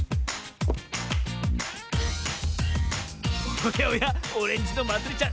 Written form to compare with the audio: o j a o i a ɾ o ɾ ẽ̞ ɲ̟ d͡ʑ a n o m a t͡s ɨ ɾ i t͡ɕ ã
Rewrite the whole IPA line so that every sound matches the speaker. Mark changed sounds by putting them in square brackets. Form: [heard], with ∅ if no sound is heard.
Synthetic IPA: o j a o [j] a [∅] o ɾ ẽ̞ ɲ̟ d͡ʑ [i] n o m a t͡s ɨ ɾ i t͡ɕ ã